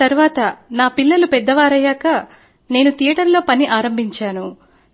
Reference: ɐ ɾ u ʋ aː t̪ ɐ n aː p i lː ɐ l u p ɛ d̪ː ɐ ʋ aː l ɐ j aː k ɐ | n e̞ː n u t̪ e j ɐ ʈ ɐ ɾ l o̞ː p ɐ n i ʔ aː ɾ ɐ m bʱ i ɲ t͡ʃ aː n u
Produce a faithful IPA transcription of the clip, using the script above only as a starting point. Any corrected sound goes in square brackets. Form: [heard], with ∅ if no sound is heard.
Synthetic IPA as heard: ɐ ɾ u ʋ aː t̪ ɐ n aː p i lː ɐ l u p ɛ d̪ː ɐ ʋ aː [ɾ] ɐ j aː k ɐ | n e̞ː n u t̪ [i] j ɐ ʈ ɐ ɾ l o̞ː p ɐ n i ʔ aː ɾ ɐ m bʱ i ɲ t͡ʃ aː n u